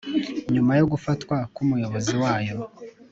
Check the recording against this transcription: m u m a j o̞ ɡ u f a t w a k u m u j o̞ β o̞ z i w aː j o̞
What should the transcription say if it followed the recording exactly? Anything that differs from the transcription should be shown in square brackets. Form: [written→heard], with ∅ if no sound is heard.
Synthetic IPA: [m→ɲ] u m a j o̞ ɡ u f a t w a k u m u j o̞ β o̞ z i w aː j o̞